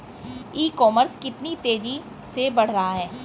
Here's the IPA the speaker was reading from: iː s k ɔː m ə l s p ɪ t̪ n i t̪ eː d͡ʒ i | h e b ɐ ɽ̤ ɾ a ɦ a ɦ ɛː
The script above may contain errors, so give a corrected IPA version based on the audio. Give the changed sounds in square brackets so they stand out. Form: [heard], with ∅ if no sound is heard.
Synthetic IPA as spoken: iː [∅] k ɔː m ə [ɾ] s [k] ɪ t̪ n i t̪ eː d͡ʒ i | [s] e b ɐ ɽ̤ ɾ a ɦ a ɦ ɛː